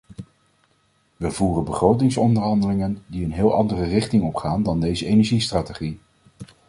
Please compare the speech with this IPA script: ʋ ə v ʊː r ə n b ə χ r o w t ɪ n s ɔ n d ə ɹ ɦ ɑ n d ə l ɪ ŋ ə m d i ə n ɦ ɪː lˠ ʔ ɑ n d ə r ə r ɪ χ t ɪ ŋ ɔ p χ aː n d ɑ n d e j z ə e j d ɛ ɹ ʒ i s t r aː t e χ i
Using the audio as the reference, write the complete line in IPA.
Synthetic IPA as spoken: ʋ ə v uː r ə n b ə χ r o w t ɪ ŋ s ɔ n d ə ɹ ɦ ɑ n d ə l ɪ ŋ ə n d i ə n ɦ ɪː lˠ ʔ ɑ n d ə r ə r ɪ χ t ɪ ŋ ɔ p χ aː n d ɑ n d e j z ə e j n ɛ ɹ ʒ i s t r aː t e χ i